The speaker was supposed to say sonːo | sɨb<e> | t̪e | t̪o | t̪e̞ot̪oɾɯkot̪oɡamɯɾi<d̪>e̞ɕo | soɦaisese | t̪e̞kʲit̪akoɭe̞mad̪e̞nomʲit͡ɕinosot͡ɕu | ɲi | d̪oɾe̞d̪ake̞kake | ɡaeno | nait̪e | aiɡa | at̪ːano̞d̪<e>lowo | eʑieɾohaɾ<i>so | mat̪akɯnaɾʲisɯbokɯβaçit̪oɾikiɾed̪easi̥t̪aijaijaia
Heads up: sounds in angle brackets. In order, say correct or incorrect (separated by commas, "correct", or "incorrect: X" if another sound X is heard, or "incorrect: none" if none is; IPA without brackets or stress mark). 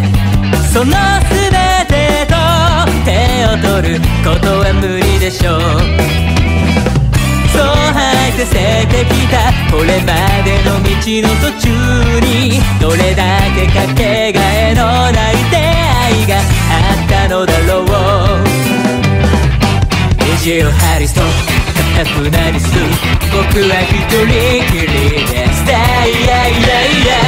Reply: correct, correct, incorrect: a, correct